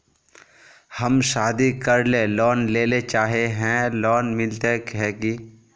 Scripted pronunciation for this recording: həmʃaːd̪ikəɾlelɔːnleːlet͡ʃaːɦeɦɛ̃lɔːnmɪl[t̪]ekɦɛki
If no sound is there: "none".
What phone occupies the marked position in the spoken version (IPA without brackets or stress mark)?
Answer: t̪